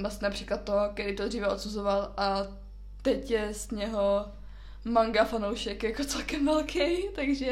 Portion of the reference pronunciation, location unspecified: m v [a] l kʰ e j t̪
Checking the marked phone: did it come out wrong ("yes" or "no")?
yes